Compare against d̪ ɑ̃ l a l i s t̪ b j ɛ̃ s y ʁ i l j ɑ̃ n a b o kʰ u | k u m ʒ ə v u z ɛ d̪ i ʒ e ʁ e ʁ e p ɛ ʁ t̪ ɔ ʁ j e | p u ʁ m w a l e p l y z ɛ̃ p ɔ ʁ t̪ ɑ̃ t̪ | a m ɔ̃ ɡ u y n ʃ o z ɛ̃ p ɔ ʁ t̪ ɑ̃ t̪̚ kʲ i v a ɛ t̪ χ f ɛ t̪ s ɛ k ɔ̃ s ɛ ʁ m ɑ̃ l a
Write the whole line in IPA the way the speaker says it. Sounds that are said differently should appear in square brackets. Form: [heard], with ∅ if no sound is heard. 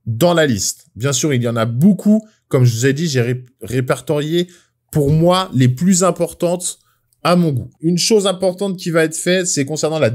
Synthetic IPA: d̪ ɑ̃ l a l i s t̪ b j ɛ̃ s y ʁ i l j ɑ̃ n a b o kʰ u | k [ɔ] m ʒ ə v u z ɛ d̪ i ʒ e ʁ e ʁ e p ɛ ʁ t̪ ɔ ʁ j e | p u ʁ m w a l e p l y z ɛ̃ p ɔ ʁ t̪ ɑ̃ t̪ | a m ɔ̃ ɡ u y n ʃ o z ɛ̃ p ɔ ʁ t̪ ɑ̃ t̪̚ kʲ i v a ɛ t̪ χ f ɛ t̪ s ɛ k ɔ̃ s ɛ ʁ [n] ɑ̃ l a